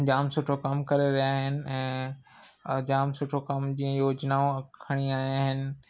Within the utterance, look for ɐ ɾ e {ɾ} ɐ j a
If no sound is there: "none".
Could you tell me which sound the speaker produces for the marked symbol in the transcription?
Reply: ɾ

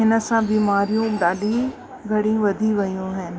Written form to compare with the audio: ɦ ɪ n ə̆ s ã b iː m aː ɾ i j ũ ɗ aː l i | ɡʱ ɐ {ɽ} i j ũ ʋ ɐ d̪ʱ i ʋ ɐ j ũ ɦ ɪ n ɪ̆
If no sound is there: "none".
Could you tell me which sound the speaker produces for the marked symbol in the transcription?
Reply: ɽ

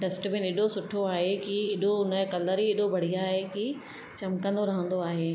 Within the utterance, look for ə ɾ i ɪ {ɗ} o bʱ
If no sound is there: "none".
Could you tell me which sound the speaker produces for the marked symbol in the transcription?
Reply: ɗ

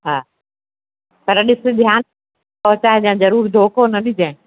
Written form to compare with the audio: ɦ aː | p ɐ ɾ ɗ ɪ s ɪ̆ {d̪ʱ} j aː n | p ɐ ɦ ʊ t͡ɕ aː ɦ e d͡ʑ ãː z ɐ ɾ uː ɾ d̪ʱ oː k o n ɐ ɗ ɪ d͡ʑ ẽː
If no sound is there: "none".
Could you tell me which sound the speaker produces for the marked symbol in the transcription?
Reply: d̪ʱ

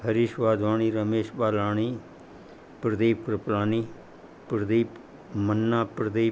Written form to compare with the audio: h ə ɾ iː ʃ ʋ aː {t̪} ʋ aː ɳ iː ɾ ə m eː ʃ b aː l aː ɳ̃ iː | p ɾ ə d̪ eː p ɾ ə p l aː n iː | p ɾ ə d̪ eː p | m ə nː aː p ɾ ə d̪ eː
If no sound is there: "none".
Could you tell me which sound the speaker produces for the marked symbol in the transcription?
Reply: d̪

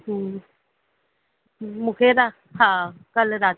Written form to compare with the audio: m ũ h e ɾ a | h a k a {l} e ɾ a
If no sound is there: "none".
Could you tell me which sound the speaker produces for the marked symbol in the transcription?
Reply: l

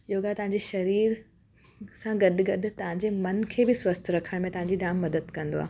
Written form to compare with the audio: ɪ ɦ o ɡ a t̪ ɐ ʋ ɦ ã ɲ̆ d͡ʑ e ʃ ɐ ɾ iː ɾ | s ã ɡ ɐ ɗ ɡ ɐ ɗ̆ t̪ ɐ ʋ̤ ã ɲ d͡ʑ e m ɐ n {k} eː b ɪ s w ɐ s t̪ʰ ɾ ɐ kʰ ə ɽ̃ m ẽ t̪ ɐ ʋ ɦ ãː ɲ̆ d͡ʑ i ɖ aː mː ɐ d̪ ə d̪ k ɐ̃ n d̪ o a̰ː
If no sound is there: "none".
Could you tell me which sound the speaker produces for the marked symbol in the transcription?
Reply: kʰ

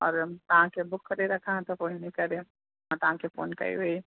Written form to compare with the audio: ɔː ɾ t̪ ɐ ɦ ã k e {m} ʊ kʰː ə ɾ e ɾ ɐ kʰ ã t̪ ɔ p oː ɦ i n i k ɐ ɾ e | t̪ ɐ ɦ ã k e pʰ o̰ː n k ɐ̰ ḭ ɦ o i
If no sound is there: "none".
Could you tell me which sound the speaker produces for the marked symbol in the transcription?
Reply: b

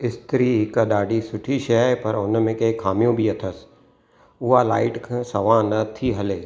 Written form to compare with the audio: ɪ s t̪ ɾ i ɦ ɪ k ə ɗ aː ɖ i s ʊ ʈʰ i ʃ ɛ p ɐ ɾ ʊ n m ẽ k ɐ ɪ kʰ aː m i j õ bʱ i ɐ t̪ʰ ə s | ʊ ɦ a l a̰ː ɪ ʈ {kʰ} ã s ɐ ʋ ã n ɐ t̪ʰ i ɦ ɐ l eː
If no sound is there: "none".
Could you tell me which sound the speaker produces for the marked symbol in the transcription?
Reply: kʰ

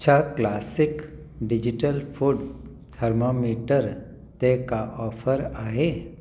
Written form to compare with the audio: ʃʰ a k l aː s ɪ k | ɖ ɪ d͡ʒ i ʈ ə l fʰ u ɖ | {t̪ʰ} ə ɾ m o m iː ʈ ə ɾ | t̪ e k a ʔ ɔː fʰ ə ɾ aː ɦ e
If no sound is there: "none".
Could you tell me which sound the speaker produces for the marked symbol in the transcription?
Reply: t̪ʰ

